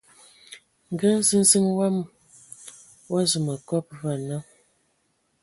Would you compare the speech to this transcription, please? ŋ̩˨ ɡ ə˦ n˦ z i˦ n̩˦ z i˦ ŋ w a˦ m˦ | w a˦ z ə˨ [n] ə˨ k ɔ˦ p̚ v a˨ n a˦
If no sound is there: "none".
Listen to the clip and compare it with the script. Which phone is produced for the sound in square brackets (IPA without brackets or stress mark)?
m